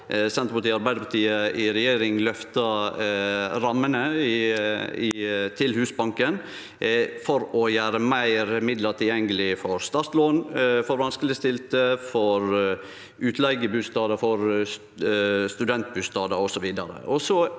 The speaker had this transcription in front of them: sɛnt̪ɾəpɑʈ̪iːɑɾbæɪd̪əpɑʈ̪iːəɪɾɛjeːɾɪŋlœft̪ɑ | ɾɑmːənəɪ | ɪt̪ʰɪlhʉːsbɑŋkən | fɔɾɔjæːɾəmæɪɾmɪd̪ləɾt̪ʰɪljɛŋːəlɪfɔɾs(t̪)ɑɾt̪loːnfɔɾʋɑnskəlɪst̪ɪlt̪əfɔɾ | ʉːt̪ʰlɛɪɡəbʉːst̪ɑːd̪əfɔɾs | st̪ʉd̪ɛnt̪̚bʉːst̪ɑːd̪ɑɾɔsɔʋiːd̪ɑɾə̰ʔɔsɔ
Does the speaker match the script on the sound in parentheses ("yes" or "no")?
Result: yes